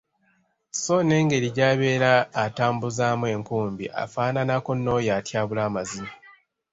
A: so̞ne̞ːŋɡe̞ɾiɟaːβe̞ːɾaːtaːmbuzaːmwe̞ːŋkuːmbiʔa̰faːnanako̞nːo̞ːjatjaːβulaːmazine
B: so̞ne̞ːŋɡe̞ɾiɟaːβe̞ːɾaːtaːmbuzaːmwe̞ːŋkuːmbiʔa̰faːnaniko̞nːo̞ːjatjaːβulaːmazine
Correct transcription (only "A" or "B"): A